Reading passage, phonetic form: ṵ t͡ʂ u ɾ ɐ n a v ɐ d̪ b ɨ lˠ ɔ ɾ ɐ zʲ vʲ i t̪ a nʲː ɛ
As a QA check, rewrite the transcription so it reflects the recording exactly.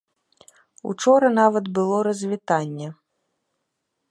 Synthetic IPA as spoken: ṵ t͡ʂ ɔ ɾ ɐ n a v ɐ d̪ b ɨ lˠ ɔ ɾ ɐ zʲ vʲ i t̪ a nʲː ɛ